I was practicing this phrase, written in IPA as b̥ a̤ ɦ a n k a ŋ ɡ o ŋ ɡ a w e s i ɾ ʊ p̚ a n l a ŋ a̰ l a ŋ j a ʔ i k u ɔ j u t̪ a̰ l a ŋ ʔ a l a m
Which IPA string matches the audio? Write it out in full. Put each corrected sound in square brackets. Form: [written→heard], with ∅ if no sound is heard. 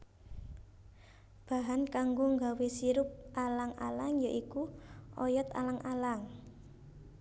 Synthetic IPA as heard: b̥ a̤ ɦ a n k a ŋ ɡ o ŋ ɡ a w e s i ɾ ʊ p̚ a [n→∅] l a ŋ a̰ l a ŋ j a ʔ i k u ɔ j [u→ɔ] t̪ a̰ l a ŋ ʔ a l a [m→ŋ]